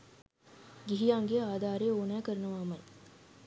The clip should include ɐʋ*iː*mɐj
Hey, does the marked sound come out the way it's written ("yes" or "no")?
no